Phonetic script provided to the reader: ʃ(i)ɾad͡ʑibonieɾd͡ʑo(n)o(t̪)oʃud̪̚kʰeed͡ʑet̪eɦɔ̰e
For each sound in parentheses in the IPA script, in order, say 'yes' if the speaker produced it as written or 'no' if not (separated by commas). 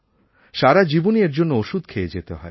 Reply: no, no, no